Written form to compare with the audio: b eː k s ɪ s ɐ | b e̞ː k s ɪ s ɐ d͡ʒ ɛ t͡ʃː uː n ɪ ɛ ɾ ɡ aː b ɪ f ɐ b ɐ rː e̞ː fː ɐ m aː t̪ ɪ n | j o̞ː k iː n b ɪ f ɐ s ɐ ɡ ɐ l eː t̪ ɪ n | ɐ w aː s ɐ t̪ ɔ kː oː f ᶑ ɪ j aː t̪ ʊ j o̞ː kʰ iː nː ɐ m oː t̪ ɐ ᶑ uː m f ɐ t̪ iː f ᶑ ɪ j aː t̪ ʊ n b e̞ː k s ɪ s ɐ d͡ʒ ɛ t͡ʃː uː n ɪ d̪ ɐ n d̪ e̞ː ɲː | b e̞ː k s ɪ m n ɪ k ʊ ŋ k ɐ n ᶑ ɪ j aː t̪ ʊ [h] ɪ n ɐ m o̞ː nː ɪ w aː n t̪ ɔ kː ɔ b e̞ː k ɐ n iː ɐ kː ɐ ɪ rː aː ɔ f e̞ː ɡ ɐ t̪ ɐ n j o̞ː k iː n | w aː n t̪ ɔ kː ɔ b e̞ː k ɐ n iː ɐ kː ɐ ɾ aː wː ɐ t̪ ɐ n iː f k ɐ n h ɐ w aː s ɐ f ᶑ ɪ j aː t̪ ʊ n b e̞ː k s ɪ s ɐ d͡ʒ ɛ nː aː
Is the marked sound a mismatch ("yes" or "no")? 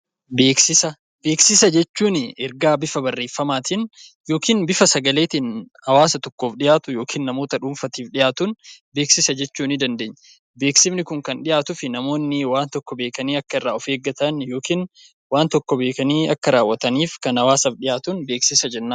yes